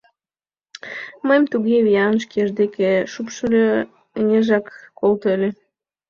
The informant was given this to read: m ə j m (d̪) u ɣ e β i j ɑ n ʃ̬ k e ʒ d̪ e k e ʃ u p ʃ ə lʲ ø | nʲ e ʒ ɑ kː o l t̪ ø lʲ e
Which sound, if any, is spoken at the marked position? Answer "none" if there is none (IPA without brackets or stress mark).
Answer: t̪